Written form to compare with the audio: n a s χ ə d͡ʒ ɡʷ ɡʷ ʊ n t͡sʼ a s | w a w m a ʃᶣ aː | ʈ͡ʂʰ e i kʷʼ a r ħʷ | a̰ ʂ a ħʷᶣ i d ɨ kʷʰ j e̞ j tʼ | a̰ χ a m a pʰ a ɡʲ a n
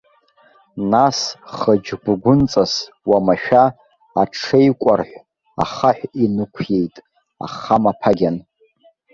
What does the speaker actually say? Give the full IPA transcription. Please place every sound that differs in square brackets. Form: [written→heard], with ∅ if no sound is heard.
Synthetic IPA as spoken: n a s χ ə d͡ʒ ɡʷ ɡʷ ʊ n t͡sʼ a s | w a [w→∅] m a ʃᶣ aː | ʈ͡ʂʰ e [i→j] kʷʼ a r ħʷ | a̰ [ʂ→χ] a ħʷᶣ i [d→n] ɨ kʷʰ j e̞ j tʼ | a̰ χ a m a pʰ a ɡʲ a n